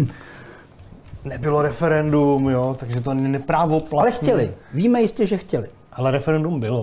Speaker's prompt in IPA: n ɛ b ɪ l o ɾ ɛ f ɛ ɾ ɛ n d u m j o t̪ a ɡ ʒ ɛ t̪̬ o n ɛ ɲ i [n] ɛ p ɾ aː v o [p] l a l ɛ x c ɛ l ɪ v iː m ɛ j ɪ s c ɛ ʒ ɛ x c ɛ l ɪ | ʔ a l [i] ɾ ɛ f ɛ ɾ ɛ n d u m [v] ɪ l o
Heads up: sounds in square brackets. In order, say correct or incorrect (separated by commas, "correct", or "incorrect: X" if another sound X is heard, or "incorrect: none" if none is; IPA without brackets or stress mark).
correct, correct, incorrect: ɛ, incorrect: b